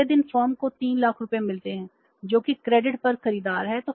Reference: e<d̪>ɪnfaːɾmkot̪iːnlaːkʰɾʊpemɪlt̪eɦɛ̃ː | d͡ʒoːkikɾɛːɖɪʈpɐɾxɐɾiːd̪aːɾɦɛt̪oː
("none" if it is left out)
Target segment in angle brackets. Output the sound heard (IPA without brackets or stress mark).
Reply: d̪